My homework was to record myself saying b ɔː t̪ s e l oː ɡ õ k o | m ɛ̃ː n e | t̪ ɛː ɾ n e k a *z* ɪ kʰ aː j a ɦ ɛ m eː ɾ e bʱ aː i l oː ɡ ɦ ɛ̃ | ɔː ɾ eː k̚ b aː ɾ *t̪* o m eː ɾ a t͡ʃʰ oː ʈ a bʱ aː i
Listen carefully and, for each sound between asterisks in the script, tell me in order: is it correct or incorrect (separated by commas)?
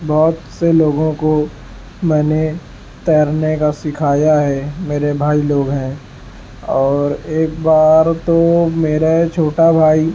incorrect, correct